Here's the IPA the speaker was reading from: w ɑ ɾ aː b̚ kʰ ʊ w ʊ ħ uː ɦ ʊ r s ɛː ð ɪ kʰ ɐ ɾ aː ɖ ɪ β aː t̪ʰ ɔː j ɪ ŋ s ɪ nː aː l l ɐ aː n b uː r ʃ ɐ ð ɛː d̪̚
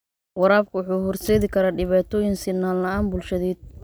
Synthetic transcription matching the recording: w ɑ ɾ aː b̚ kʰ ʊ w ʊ ħ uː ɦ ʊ r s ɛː ð ɪ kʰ ɐ ɾ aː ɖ ɪ β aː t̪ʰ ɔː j ɪ ŋ s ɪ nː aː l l ɐ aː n b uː l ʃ ɐ ð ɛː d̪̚